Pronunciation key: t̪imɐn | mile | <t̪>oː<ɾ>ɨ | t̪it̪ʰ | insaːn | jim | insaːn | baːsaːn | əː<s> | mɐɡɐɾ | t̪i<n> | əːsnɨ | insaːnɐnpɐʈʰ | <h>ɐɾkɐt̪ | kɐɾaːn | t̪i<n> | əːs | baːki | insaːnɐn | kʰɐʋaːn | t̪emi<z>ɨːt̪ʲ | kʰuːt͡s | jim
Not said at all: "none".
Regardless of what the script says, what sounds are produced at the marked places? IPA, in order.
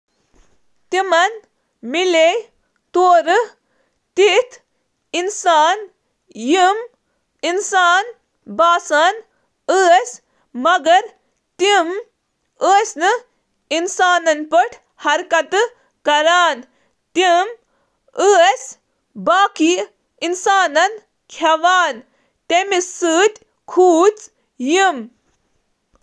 t̪, ɾ, s, m, h, m, s

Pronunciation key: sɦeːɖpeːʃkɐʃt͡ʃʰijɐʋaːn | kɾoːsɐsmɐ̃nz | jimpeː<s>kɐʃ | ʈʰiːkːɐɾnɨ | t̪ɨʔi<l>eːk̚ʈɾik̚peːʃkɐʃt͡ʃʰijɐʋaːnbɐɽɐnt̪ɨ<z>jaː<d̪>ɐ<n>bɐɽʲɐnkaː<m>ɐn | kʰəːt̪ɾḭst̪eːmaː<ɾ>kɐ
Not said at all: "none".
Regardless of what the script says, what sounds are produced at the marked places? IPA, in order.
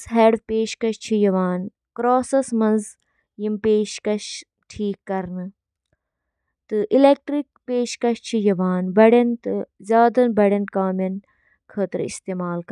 ʃ, l, z, d̪, n, m, l

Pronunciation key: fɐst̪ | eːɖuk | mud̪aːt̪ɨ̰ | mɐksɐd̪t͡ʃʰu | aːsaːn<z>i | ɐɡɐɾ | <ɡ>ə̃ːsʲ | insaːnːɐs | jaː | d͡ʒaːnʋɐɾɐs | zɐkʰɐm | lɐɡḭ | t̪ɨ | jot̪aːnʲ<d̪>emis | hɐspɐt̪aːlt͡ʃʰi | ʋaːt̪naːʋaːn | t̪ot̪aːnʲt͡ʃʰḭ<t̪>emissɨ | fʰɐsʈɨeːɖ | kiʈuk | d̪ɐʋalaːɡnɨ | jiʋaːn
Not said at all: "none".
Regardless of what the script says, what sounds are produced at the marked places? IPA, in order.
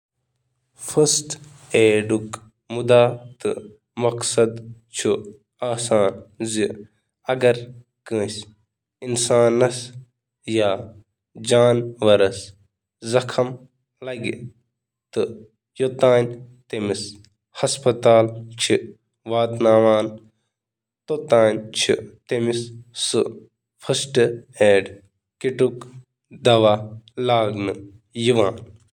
z, k, t̪, t̪

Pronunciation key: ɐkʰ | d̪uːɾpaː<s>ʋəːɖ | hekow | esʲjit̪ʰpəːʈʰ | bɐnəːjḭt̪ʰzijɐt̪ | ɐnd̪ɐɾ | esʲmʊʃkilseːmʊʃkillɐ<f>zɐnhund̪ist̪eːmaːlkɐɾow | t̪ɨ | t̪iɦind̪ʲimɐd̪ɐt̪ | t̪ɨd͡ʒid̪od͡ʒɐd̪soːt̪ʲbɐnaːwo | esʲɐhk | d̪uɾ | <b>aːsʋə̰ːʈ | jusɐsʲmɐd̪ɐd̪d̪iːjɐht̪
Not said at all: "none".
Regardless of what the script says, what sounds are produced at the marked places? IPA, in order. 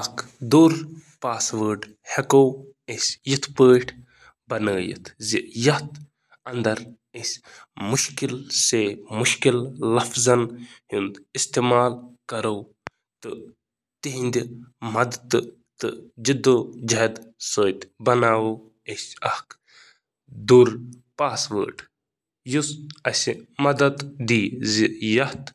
s, f, p

